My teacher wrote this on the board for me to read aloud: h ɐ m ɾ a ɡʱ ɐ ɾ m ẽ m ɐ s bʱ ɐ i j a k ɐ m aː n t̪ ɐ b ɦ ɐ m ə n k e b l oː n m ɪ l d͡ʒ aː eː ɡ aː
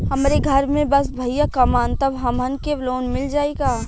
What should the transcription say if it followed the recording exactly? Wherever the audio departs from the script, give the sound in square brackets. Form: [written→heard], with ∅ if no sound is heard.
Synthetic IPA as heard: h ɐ m ɾ [a→e] ɡʱ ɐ ɾ m ẽ [m→b] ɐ s bʱ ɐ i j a k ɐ m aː n t̪ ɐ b ɦ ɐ m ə n k e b l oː n m ɪ l d͡ʒ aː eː ɡ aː